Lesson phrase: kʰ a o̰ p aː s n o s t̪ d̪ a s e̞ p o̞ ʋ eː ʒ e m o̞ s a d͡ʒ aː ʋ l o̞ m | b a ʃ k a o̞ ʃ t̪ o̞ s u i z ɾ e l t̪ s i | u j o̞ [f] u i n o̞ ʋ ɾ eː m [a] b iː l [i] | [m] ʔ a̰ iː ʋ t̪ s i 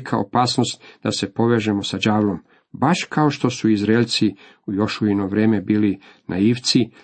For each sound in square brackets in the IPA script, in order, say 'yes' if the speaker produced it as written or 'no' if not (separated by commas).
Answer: no, no, yes, no